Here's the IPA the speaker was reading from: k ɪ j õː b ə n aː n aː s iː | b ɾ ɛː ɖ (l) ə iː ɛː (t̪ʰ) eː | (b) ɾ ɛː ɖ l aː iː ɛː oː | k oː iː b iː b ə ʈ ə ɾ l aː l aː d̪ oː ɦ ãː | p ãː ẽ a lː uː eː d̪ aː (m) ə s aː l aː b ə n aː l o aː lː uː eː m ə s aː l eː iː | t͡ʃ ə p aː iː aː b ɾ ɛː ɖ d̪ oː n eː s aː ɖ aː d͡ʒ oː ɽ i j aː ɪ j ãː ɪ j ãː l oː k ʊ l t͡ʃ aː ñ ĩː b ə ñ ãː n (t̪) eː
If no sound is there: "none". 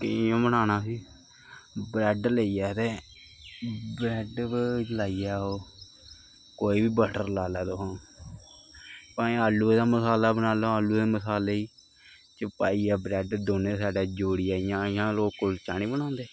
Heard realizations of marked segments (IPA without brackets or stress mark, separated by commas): l, t̪, b, m, d̪